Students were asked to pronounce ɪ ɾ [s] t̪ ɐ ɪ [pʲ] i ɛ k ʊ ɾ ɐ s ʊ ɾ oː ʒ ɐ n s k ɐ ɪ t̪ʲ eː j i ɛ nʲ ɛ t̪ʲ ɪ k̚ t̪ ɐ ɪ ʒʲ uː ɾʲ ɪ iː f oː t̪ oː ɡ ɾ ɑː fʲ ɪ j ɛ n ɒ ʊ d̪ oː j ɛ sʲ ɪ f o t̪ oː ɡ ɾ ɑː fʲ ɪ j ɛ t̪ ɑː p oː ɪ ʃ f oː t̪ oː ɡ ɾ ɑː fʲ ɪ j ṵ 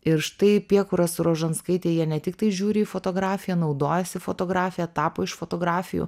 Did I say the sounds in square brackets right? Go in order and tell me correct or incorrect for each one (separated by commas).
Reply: incorrect, correct